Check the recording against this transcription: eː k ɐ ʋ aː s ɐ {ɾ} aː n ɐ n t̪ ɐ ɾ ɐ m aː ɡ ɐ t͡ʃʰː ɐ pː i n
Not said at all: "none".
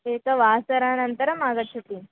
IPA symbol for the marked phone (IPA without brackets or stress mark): ɾ